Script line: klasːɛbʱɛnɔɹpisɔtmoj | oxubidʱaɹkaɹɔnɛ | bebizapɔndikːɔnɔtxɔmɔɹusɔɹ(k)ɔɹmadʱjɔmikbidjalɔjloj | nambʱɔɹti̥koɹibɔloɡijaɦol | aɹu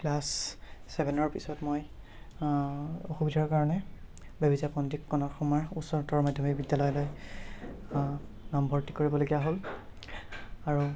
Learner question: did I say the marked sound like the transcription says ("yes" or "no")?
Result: no